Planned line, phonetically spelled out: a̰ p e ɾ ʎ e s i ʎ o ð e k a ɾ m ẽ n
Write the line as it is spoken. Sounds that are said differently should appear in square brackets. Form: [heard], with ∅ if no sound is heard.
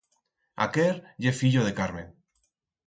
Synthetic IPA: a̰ [k] e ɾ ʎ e [f] i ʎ o ð e k a ɾ m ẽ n